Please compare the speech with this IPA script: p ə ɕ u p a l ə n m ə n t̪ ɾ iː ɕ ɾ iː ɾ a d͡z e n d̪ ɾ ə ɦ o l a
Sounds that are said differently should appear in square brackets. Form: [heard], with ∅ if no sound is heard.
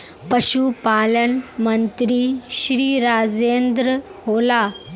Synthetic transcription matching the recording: p ə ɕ u p a l ə n m ə n t̪ ɾ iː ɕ ɾ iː ɾ a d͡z e n d̪ ɾ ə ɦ o l a